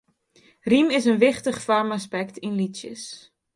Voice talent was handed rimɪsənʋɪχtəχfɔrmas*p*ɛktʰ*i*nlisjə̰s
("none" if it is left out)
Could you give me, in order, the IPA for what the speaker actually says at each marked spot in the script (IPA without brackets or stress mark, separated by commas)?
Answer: p, i